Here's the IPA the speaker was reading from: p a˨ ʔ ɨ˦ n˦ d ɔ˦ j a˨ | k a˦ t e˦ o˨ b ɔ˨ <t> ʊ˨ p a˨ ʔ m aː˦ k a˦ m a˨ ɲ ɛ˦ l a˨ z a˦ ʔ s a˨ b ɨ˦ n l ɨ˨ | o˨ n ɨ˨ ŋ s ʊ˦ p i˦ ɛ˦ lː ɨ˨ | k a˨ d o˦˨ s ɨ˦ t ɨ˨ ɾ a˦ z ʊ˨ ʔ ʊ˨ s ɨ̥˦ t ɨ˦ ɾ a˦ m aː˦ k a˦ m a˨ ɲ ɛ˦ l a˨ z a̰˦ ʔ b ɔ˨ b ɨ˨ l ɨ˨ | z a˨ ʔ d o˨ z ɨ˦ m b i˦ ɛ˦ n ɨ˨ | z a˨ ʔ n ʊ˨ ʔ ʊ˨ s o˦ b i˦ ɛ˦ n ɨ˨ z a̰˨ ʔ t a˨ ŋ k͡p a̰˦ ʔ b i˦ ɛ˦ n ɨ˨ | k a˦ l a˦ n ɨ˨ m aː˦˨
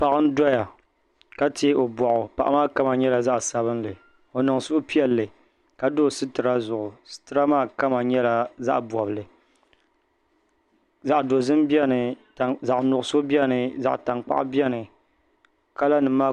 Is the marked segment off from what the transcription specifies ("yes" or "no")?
yes